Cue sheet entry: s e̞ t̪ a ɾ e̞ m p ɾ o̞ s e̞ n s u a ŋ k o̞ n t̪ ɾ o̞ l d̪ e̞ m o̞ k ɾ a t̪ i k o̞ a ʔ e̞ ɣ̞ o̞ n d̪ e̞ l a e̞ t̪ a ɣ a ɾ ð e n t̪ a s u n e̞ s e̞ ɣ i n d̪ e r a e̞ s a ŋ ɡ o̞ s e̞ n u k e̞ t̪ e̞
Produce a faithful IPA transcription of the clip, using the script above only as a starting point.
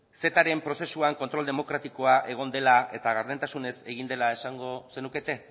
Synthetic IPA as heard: s e̞ t̪ a ɾ e̞ m p ɾ o̞ s e̞ s u a ŋ k o̞ n t̪ ɾ o̞ l d̪ e̞ m o̞ k ɾ a t̪ i k o̞ a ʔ e̞ ɣ̞ o̞ n d̪ e̞ l a e̞ t̪ a ɣ a ɾ ð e n t̪ a s u n e̞ s e̞ ɣ i n d̪ e l a e̞ s a ŋ ɡ o̞ s e̞ n u k e̞ t̪ e̞